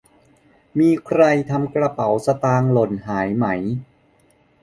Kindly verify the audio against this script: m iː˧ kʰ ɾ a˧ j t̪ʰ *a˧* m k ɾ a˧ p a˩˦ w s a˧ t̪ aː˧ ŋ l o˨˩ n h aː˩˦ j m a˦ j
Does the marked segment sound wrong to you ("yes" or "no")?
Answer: no